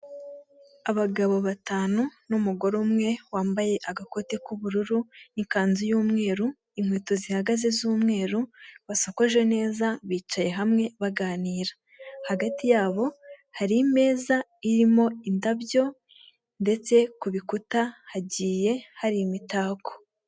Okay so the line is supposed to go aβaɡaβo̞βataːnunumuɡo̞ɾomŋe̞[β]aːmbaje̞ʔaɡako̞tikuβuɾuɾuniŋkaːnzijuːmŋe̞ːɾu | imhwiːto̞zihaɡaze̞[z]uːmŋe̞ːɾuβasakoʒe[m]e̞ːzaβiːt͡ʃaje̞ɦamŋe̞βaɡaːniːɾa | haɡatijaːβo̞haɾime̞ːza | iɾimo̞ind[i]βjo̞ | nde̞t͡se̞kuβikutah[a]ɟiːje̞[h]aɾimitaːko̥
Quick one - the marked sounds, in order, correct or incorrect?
incorrect: w, correct, incorrect: n, incorrect: a, correct, correct

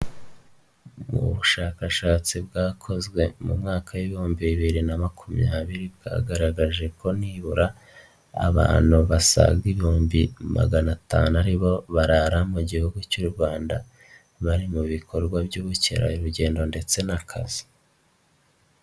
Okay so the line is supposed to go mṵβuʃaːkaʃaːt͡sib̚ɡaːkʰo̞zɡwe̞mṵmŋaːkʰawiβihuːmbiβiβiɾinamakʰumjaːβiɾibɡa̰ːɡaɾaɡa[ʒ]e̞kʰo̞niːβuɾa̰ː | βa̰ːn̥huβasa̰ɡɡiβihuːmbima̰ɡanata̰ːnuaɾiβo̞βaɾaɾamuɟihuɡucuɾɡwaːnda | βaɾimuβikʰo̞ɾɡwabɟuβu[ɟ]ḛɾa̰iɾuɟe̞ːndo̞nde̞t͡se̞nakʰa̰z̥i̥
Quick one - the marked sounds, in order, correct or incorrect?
correct, incorrect: c

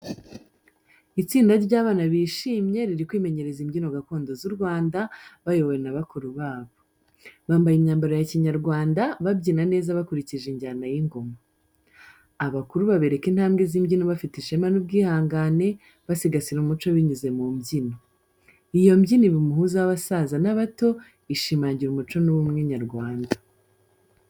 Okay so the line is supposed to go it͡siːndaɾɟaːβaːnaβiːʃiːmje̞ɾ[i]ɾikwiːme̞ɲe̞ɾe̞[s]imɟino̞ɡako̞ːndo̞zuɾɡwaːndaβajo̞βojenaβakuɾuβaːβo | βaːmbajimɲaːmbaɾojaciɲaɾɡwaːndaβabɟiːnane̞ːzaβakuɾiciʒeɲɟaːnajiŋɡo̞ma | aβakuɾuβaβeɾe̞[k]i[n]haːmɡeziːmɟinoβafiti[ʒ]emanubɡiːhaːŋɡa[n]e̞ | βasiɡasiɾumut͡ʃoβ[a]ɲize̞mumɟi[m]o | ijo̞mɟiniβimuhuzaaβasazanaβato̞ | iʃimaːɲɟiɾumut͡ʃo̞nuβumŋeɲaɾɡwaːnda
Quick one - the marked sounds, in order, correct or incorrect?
correct, incorrect: z, correct, correct, incorrect: ʃ, correct, incorrect: i, incorrect: n

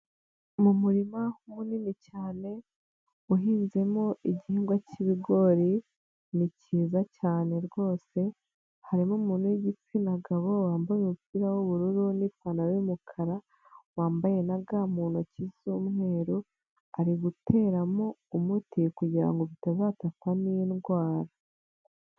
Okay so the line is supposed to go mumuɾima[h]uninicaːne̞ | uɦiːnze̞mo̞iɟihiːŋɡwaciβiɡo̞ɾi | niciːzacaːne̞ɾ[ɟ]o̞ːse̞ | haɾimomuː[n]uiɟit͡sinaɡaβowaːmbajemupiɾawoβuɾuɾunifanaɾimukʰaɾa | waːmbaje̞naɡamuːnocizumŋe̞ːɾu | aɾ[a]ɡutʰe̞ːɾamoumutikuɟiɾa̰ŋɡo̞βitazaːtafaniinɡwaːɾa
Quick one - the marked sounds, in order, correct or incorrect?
correct, incorrect: ɡ, correct, incorrect: i

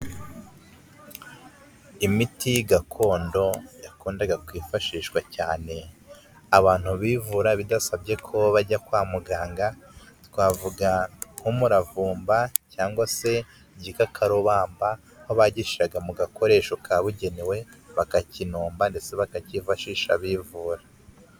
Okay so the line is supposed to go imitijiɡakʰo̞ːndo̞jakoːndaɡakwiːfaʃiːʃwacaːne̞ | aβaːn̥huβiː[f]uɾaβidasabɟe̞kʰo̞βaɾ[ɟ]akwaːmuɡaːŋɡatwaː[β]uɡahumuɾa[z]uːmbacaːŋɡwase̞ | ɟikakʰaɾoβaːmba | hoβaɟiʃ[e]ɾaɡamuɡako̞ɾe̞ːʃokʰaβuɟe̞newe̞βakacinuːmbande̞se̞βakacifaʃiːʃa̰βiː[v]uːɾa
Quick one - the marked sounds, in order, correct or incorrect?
incorrect: v, correct, incorrect: v, incorrect: v, incorrect: i, correct

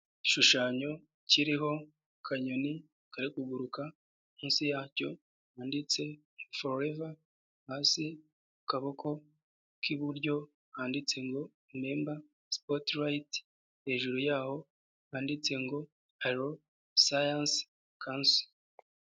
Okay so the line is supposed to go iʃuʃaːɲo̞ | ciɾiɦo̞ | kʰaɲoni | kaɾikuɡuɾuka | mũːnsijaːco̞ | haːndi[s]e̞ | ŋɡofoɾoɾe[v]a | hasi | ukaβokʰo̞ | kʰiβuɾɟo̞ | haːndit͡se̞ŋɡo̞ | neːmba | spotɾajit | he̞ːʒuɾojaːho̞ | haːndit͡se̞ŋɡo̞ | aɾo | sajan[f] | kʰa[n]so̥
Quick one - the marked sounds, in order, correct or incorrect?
incorrect: t͡s, correct, incorrect: s, correct

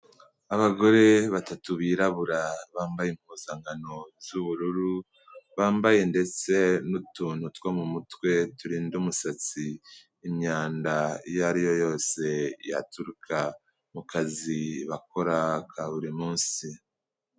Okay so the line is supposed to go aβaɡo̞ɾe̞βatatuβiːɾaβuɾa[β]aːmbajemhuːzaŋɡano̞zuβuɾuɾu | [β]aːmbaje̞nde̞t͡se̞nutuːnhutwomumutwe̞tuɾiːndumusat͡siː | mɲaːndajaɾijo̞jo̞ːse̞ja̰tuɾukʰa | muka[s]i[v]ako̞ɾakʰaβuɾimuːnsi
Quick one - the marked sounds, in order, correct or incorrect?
correct, correct, incorrect: z, incorrect: β

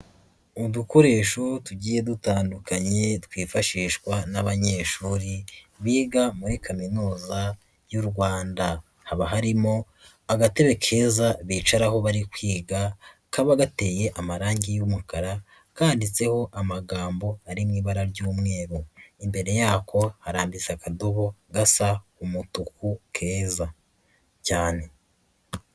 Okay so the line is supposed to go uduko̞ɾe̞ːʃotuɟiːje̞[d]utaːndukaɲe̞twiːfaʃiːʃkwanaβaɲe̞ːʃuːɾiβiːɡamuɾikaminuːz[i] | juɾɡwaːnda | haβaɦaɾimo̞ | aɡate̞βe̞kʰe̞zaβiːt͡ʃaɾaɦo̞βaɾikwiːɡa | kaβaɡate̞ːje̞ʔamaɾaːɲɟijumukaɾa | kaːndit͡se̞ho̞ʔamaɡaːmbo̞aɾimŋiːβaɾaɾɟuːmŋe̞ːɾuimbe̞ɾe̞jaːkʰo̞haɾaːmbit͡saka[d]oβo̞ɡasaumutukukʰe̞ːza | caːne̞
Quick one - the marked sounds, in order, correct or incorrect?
correct, incorrect: a, correct

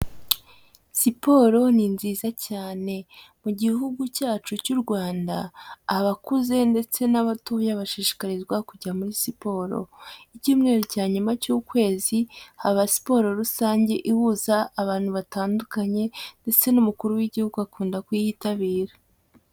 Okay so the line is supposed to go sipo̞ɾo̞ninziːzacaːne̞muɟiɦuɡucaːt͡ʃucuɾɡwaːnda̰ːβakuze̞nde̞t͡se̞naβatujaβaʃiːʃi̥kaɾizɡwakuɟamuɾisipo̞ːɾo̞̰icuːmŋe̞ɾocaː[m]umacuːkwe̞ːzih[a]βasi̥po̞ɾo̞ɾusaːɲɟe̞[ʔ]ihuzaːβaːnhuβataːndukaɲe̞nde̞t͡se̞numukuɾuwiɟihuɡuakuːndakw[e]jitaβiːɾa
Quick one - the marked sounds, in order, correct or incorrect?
incorrect: ɲ, correct, correct, incorrect: i

